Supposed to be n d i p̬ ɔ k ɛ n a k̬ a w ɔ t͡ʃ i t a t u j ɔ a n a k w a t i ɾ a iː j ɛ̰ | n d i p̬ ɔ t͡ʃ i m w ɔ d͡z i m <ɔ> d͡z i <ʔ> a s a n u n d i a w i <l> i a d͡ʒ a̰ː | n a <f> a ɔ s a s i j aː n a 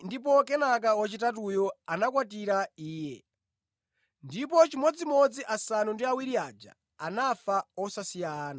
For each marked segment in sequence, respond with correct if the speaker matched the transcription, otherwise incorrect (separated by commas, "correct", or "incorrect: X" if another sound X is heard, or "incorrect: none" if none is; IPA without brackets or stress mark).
correct, correct, incorrect: ɾ, correct